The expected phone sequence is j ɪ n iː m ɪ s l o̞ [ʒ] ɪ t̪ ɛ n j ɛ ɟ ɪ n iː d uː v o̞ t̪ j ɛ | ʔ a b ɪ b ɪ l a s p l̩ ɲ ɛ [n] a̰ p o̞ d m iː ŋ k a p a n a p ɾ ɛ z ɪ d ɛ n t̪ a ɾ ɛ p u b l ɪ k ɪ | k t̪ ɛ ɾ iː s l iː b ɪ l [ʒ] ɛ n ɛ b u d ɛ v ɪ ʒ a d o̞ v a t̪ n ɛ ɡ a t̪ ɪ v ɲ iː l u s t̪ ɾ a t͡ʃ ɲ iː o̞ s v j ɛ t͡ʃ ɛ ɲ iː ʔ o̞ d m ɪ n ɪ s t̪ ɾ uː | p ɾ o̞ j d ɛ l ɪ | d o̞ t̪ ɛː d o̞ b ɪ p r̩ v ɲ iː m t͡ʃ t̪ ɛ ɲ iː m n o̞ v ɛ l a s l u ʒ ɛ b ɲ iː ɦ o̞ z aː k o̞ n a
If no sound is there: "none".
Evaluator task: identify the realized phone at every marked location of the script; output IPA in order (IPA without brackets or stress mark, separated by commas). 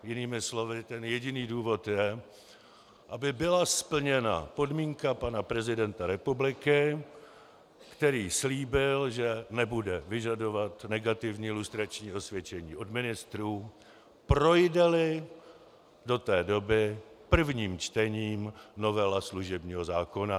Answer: v, n, ʒ